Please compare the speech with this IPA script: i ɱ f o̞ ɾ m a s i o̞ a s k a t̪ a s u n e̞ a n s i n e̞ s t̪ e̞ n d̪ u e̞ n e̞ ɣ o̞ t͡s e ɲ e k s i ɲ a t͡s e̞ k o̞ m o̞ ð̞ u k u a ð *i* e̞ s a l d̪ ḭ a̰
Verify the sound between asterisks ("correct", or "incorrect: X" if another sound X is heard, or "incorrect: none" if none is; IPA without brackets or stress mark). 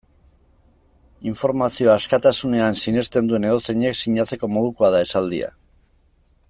incorrect: a